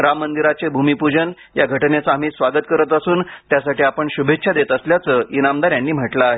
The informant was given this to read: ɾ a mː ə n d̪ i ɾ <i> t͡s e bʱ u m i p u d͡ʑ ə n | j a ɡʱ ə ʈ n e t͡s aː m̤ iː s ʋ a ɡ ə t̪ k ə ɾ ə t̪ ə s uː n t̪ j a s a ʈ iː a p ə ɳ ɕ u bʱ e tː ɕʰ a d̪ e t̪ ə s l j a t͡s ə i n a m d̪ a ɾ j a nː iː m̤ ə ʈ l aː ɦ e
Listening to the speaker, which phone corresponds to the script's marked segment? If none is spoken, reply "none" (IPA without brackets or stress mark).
a